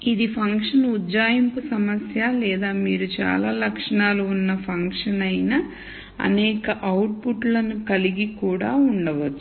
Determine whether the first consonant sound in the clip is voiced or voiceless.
voiced